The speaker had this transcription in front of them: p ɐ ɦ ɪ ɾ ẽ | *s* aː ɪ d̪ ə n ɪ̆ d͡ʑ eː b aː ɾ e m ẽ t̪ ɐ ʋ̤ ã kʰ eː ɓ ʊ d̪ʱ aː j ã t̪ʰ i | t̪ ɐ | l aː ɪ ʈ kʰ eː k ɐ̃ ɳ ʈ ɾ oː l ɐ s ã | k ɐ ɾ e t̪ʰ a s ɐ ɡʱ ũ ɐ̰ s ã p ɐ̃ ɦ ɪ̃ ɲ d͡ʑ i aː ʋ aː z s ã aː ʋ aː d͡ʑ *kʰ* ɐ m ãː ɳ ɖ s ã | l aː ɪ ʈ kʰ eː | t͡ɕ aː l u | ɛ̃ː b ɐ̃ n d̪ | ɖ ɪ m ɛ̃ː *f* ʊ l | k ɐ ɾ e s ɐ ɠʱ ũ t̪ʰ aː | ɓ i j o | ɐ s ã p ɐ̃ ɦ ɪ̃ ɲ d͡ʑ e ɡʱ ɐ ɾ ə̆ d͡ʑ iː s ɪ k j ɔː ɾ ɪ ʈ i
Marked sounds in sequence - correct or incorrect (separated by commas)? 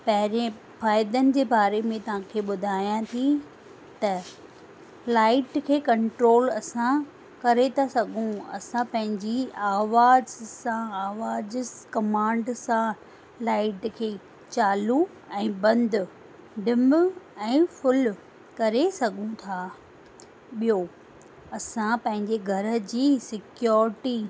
incorrect, incorrect, correct